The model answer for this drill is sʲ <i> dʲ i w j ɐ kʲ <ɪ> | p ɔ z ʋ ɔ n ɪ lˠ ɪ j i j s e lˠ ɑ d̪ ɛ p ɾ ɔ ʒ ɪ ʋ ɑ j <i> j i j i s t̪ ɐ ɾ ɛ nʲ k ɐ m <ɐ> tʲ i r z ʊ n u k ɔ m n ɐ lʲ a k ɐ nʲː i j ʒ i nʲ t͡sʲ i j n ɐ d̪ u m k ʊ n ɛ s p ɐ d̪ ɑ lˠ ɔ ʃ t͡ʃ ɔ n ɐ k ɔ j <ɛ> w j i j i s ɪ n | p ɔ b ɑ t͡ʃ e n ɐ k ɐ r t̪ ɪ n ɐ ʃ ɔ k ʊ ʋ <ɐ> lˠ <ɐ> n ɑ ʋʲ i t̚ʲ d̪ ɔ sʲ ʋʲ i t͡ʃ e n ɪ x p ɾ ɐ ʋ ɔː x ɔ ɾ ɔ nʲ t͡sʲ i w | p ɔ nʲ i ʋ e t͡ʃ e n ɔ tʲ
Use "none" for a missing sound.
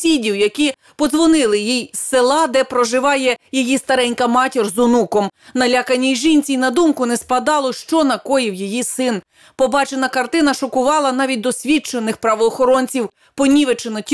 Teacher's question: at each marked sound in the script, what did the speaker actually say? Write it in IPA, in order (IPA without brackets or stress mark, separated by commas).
i, i, ɛ, ɑ, i, ɑ, ɐ